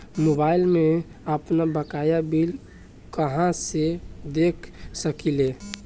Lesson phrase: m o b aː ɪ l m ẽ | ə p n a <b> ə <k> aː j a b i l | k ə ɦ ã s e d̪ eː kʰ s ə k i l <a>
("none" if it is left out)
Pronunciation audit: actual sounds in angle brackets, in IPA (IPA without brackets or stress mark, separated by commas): b, k, e